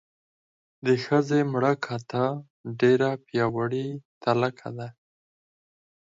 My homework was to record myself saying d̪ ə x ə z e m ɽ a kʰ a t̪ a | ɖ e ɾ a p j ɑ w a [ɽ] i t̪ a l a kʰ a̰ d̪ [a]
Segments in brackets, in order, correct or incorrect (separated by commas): correct, correct